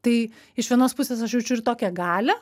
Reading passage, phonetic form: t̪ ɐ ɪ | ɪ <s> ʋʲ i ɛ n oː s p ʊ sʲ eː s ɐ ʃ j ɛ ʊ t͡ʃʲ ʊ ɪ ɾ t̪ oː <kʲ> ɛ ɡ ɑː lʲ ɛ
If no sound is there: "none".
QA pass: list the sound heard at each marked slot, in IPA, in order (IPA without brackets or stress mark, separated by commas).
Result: ʃ, kʲ